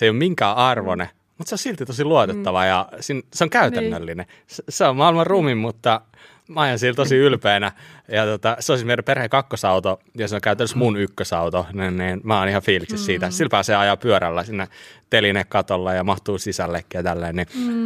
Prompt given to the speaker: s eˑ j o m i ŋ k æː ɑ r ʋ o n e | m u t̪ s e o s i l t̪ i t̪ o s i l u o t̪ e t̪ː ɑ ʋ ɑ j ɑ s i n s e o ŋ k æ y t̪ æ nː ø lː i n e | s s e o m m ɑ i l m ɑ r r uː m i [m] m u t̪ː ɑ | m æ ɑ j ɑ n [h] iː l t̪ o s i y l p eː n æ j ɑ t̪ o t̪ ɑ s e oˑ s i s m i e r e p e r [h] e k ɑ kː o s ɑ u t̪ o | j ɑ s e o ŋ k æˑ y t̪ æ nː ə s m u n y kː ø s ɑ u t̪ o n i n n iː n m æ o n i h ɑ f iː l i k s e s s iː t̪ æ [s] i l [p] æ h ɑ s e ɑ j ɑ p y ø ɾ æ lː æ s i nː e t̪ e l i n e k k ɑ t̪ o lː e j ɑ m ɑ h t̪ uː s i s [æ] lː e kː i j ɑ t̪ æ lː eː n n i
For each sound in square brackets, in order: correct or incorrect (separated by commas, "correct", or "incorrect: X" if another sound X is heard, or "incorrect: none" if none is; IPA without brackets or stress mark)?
correct, incorrect: s, correct, correct, correct, correct